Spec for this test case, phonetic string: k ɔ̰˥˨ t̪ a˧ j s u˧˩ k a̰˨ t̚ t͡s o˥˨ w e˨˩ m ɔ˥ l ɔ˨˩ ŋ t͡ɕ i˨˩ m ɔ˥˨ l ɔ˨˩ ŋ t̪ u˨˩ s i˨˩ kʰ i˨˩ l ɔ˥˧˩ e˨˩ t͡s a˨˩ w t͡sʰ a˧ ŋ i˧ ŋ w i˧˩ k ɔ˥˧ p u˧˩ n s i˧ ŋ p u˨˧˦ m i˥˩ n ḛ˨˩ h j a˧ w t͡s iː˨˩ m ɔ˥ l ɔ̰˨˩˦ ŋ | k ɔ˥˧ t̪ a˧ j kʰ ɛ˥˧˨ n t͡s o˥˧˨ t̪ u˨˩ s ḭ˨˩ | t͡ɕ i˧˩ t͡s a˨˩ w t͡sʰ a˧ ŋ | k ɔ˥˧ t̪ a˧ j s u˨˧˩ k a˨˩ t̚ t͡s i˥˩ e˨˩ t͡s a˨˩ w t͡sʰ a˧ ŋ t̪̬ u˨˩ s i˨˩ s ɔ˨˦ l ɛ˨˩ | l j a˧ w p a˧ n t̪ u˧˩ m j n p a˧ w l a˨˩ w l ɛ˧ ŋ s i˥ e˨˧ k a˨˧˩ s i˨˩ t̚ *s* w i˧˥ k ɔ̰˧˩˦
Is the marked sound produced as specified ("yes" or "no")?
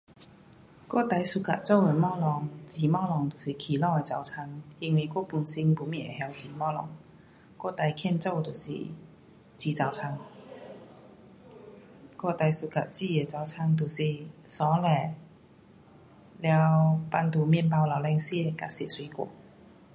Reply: yes